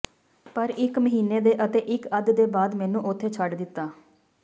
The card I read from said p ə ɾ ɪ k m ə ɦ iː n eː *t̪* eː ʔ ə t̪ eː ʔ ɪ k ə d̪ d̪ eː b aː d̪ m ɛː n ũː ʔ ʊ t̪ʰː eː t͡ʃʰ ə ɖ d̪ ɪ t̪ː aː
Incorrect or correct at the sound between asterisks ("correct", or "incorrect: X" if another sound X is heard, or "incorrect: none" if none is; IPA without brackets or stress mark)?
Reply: incorrect: d̪